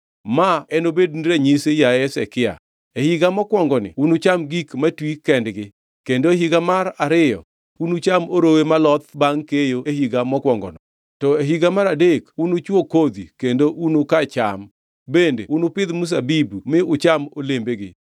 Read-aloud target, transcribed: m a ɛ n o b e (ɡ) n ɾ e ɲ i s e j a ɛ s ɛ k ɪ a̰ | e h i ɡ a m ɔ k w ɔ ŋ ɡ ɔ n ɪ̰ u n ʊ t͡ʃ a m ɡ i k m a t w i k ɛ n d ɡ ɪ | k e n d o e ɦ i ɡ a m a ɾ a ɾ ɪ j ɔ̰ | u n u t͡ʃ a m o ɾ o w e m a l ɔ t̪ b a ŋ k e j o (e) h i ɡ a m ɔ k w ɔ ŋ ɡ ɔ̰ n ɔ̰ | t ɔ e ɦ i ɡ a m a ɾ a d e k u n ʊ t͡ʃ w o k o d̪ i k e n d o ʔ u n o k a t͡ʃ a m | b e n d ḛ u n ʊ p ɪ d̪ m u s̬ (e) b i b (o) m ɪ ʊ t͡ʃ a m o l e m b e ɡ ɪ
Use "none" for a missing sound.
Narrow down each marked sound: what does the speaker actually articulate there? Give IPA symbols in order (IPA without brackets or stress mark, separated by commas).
d, e, a, u